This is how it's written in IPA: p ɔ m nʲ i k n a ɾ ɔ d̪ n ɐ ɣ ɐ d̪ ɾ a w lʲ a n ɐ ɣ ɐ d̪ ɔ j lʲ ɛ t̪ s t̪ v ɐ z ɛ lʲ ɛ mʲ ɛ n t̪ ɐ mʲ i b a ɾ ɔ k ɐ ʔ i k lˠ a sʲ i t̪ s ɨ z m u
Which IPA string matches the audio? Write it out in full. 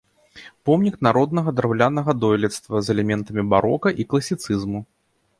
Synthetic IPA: p ɔ m nʲ i k n a ɾ ɔ d̪ n ɐ ɣ ɐ d̪ ɾ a w lʲ a n ɐ ɣ ɐ d̪ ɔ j lʲ ɛ t̪ s t̪ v ɐ z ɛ lʲ ɛ mʲ ɛ n t̪ ɐ mʲ i b a ɾ ɔ k ɐ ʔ i k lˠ ɐ sʲ i t̪ s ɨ z m u